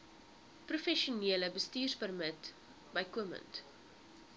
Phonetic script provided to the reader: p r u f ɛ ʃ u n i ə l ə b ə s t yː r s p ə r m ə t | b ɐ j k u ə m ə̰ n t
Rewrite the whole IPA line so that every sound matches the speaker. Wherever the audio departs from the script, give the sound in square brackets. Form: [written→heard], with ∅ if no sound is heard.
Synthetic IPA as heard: p r u f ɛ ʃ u n i ə l ə b ə s t [yː→iː] r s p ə r m ə t | b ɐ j k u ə m ə̰ n t